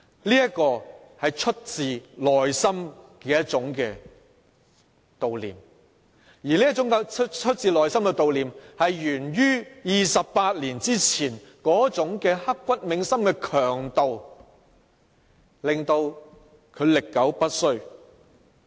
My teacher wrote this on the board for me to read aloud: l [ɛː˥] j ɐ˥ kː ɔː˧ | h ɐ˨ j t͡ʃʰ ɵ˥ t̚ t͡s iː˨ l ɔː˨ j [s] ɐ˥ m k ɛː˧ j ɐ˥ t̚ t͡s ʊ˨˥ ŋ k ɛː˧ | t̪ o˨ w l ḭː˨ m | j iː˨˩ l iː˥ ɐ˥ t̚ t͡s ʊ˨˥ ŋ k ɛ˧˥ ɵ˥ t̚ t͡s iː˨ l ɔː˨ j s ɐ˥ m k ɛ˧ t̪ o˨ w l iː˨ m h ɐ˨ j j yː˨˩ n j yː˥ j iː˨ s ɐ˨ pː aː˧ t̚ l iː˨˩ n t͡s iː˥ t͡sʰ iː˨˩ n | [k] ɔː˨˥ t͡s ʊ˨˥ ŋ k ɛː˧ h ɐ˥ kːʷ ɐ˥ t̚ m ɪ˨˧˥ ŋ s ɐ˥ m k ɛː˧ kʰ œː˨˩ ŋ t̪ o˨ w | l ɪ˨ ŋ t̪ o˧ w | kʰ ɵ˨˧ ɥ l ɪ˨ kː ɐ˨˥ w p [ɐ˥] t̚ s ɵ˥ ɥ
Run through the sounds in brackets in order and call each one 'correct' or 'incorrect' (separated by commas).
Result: incorrect, correct, correct, correct